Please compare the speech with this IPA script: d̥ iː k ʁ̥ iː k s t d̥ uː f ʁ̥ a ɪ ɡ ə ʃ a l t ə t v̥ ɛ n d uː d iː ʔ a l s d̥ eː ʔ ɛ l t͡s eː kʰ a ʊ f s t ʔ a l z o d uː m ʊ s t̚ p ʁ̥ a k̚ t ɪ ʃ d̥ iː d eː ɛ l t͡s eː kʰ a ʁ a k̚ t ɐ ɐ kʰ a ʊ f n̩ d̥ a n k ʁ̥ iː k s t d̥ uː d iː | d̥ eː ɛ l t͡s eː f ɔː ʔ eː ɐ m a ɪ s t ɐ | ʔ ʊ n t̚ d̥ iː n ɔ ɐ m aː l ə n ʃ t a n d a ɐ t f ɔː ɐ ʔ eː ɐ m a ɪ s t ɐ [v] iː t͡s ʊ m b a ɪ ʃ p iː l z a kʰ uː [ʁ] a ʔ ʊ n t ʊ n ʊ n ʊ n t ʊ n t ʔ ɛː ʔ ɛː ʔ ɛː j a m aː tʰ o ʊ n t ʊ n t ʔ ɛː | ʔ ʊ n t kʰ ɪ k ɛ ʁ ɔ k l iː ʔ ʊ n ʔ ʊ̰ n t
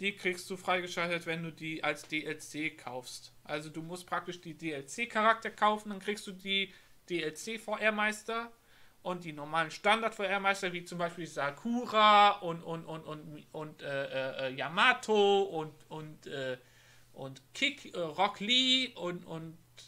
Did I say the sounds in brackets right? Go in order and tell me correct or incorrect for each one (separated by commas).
correct, correct